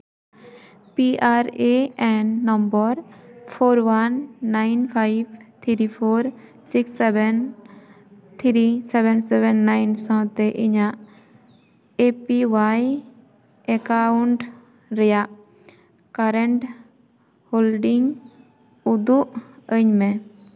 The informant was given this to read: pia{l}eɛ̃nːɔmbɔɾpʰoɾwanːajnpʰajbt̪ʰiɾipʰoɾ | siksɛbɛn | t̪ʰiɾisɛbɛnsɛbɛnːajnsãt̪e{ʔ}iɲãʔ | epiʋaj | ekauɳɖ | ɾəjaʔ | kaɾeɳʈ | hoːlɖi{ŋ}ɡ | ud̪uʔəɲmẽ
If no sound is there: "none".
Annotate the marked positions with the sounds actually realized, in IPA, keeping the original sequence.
ɾ, ʔ, ŋ

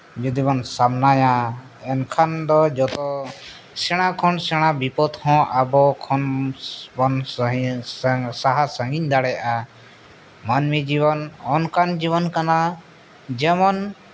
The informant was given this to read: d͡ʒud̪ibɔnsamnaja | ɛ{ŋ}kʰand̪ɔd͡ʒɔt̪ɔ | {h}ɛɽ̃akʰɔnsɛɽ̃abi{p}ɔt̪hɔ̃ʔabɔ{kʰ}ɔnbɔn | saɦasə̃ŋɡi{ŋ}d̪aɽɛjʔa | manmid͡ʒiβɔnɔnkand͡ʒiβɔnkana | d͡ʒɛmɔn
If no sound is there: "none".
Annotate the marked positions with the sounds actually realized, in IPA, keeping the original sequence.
n, s, p, kʰ, ɲ

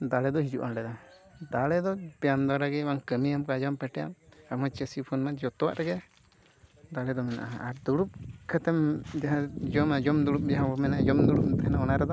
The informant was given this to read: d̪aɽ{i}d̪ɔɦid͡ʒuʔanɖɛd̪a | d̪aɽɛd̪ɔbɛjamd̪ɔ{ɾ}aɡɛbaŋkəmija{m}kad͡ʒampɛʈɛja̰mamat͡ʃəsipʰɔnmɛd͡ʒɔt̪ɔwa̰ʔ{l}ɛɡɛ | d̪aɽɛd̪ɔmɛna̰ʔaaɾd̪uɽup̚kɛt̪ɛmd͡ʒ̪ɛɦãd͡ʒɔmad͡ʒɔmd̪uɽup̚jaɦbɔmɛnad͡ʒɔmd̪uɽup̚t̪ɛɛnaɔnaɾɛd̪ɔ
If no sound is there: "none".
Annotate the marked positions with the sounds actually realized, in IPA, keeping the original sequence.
ɛ, ɾ, m, ɾ

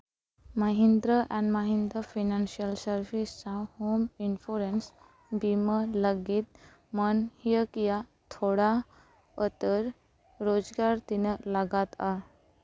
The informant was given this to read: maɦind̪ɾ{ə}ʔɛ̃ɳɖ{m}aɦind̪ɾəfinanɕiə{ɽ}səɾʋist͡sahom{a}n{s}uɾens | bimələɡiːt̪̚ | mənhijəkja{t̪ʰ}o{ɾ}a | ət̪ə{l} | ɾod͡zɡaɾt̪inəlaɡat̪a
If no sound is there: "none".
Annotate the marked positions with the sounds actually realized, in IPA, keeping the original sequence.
ə, m, l, i, f, t̪ʰ, ɽ, ɾ

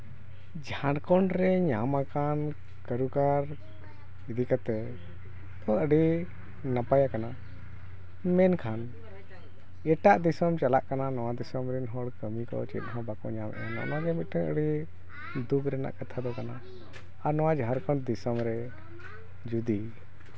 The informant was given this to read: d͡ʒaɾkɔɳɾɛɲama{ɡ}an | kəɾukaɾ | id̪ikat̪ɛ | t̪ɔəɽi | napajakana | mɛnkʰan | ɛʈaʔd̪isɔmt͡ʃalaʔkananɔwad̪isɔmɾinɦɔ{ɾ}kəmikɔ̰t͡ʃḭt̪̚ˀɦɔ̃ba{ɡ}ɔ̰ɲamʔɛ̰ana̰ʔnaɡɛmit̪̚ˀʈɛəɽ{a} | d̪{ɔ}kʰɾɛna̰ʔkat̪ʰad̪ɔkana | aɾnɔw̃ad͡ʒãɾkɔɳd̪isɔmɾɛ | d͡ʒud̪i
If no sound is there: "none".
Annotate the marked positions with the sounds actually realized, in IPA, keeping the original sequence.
k, ɽ, k, i, u

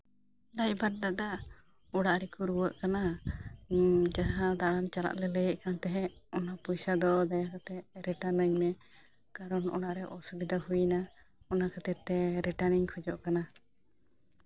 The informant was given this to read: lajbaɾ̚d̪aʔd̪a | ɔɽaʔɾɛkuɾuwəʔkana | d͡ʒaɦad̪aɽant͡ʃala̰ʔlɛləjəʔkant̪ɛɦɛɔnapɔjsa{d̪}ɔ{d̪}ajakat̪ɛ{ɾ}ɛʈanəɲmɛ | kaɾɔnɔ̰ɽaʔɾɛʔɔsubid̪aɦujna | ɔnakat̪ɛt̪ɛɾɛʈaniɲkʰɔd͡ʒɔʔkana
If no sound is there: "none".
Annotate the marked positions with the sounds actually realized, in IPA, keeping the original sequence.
d̪, d̪, ɾ

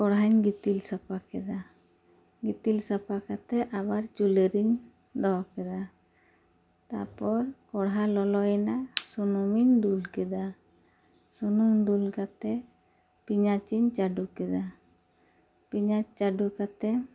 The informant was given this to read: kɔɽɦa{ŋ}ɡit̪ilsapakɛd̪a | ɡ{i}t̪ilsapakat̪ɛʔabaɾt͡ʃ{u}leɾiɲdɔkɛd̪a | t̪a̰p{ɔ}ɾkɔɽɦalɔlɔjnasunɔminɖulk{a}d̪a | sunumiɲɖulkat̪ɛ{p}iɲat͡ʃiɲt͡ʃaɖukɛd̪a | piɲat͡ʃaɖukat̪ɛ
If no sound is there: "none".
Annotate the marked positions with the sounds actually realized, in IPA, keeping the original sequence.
ɲ, i, u, ɔ, ɛ, p

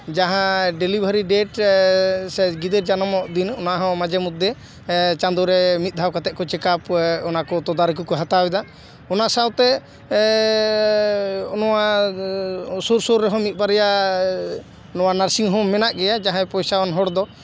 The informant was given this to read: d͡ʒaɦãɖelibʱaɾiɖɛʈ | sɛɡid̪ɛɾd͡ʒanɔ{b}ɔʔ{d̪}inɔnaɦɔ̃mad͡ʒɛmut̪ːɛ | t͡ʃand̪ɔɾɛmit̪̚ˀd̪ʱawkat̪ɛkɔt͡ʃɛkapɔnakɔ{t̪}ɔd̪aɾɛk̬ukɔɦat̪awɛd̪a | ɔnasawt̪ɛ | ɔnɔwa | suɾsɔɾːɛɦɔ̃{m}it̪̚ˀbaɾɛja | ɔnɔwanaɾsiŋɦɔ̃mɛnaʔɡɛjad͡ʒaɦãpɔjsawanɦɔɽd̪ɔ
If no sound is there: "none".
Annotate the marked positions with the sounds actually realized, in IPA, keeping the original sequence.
m, d̪, t̪, m

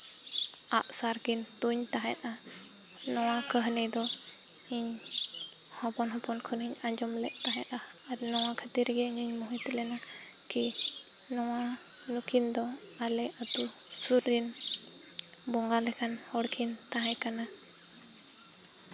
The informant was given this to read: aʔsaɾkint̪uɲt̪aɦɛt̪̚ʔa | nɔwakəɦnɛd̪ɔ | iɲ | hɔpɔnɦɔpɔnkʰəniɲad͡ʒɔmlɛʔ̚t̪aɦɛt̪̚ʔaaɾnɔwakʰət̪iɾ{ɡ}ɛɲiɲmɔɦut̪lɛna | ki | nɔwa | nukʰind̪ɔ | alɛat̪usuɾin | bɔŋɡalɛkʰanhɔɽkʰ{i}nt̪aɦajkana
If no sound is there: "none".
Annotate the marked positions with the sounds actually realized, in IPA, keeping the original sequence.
ɡ, i

